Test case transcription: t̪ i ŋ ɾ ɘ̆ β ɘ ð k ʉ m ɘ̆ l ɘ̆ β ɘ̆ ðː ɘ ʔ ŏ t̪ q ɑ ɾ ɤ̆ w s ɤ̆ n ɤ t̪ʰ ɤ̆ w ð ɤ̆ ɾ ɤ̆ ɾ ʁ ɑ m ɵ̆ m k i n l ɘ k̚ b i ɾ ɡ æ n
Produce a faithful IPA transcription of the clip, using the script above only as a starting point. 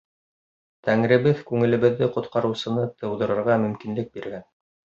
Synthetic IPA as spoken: t̪ æ ŋ ɾ ɘ̆ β ɘ ð k ʉ ŋ ɘ̆ l ɘ̆ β ɘ̆ ðː ɘ q ŏ t̪ q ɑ ɾ ɤ̆ w s ɤ̆ n ɤ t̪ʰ ɤ̆ w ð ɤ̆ ɾ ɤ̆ ɾ ʁ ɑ m ɵ̆ m k i n l ɘ k̚ b i ɾ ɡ æ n